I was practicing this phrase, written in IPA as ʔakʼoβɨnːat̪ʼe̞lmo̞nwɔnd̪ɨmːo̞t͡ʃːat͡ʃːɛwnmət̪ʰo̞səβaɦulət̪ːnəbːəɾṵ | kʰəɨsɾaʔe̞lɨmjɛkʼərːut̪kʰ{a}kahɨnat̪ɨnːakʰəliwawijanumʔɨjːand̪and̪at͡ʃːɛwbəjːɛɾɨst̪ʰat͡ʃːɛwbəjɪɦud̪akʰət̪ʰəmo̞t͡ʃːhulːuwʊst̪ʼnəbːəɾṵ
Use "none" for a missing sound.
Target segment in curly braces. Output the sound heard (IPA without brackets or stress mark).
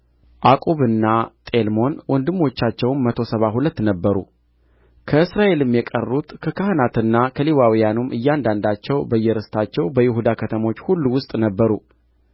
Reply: ə